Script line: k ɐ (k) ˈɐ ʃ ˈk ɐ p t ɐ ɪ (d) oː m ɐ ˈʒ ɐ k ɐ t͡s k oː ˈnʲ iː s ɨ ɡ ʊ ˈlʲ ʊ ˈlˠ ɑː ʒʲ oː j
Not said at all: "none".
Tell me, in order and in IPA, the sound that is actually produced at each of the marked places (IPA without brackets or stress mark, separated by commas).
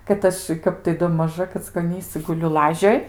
t, d